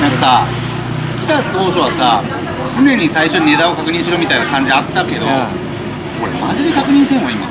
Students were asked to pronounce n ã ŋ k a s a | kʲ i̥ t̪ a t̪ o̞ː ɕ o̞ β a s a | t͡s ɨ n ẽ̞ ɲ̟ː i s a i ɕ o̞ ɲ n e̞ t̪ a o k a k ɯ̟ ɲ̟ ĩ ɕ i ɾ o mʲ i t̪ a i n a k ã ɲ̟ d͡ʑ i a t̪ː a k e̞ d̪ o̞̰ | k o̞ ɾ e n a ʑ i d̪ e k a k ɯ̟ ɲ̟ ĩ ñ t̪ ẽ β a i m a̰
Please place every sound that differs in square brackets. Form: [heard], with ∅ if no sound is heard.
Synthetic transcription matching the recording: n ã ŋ k a s a | kʲ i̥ t̪ a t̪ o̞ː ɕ o̞ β a s a | t͡s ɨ n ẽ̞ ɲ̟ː i s a i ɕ o̞ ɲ n e̞ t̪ a o k a k ɯ̟ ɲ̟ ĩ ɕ i ɾ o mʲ i t̪ a i n a k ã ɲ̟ d͡ʑ i a t̪ː a k e̞ d̪ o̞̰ | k o̞ ɾ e [m] a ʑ i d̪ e k a k ɯ̟ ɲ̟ ĩ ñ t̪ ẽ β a i m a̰